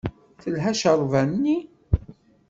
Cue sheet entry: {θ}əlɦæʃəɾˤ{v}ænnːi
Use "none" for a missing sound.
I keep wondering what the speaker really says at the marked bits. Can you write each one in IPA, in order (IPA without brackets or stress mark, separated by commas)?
θ, v